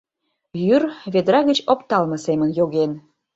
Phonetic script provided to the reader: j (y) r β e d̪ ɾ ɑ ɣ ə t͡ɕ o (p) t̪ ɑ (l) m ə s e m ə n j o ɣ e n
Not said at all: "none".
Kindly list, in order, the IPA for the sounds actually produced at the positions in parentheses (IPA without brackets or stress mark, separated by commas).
y, p, l